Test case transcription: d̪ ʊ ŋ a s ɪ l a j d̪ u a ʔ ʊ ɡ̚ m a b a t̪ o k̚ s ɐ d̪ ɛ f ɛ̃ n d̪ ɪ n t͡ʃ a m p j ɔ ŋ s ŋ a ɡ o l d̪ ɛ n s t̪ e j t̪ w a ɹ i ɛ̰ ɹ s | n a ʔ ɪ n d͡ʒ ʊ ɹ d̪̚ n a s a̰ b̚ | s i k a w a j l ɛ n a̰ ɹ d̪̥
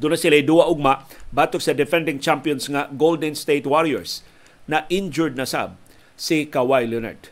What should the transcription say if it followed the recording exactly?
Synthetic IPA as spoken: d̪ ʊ n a s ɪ l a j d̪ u a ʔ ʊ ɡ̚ m a b a t̪ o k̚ s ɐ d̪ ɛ f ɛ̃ n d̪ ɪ ŋ t͡ʃ a m p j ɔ n s ŋ a ɡ o l d̪ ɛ n s t̪ e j t̪ w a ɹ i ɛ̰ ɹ s | n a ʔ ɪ n d͡ʒ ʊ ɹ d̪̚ n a s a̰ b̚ | s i k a w a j l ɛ n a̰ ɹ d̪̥